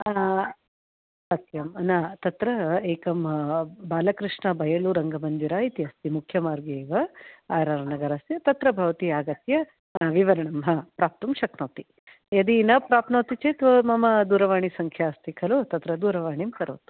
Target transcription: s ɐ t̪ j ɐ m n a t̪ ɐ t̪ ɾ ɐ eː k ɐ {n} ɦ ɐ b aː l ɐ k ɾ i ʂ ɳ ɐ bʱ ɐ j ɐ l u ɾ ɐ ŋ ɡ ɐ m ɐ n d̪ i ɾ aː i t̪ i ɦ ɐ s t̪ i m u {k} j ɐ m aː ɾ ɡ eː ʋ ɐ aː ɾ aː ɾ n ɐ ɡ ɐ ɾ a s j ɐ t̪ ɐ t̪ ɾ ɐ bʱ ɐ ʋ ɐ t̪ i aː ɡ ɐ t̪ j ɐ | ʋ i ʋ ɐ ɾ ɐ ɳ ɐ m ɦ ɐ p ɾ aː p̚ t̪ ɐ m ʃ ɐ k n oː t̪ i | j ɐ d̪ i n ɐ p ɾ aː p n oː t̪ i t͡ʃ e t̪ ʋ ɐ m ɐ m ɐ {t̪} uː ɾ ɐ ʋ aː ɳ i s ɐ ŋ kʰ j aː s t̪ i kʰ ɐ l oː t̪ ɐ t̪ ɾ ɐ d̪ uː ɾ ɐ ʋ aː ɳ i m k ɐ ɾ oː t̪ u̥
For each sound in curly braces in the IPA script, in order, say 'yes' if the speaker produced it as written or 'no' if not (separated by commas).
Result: no, no, no